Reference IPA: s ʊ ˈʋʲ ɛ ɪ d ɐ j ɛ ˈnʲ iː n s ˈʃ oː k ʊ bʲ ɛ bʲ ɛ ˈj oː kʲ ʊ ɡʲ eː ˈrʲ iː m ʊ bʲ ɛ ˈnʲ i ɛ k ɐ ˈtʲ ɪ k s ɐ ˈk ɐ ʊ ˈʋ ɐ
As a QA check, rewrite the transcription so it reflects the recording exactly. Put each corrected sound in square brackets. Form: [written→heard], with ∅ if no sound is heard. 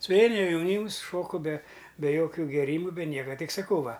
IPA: s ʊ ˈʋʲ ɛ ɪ [d→n] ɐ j ɛ ˈnʲ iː [n→m] s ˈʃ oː k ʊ bʲ ɛ bʲ ɛ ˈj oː kʲ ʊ ɡʲ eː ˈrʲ iː m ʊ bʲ ɛ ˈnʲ i ɛ k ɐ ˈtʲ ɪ k s ɐ ˈk ɐ ʊ ˈʋ ɐ